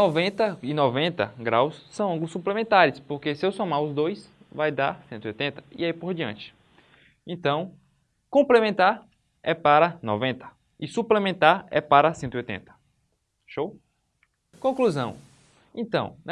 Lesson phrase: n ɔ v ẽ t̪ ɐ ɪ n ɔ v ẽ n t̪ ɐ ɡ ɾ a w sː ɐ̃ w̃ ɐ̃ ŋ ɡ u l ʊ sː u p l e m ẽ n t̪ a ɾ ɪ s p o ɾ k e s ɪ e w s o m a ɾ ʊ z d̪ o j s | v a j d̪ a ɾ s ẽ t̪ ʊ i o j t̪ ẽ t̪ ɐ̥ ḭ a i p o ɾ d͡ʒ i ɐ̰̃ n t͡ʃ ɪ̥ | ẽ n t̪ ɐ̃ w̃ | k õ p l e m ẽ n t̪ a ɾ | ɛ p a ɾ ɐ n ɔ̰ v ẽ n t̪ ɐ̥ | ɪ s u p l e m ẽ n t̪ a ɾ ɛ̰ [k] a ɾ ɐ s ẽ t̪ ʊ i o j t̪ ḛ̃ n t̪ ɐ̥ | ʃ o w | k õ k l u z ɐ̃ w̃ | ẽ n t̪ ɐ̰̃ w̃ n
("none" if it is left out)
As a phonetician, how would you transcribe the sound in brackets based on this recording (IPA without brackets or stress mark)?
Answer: p